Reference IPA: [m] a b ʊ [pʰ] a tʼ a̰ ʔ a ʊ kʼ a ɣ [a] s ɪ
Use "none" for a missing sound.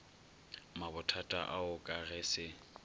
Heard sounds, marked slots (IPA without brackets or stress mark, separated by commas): m, tʰ, ɛ